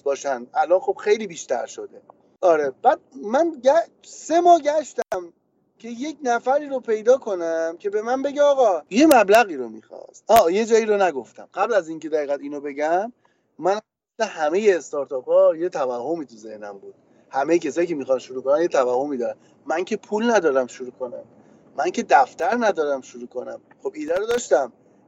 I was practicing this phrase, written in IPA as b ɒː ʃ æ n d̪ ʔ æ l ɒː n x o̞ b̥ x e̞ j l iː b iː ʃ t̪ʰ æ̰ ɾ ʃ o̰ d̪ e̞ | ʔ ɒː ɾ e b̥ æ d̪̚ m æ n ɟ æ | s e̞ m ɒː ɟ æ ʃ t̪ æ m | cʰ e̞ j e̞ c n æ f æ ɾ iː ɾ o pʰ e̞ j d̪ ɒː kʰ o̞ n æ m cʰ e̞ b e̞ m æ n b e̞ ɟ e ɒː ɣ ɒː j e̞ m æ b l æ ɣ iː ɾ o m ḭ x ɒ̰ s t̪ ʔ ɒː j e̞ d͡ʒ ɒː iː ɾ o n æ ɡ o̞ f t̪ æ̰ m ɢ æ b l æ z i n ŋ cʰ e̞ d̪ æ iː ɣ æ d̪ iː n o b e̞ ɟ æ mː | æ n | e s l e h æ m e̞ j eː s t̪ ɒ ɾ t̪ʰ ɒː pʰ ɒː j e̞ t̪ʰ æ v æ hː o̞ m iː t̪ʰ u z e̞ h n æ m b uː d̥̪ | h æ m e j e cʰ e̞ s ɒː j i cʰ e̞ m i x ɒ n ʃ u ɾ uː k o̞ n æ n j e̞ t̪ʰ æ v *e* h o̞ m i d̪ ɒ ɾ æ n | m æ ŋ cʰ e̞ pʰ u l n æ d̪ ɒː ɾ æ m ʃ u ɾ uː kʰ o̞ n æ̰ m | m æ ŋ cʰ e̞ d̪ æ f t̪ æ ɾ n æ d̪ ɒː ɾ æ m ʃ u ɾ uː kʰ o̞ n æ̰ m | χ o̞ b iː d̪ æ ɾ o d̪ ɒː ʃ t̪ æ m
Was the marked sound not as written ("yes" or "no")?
yes